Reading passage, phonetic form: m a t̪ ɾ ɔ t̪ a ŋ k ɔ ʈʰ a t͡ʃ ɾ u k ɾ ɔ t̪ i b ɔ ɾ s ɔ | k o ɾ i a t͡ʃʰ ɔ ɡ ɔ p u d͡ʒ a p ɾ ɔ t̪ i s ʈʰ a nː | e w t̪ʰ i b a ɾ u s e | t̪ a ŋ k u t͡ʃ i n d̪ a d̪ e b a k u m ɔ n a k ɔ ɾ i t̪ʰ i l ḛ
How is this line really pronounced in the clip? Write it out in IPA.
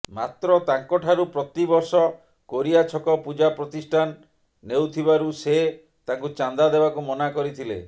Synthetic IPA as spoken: m a t̪ ɾ ɔ t̪ a ŋ k ɔ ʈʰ a ɾ u p ɾ ɔ t̪ i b ɔ ɾ s ɔ | k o ɾ i a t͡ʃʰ ɔ k ɔ p u d͡ʒ a p ɾ ɔ t̪ i s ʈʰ a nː | e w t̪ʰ i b a ɾ u s e | t̪ a ŋ k u t͡ʃ a n d̪ a d̪ e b a k u m ɔ n a k ɔ ɾ i t̪ʰ i l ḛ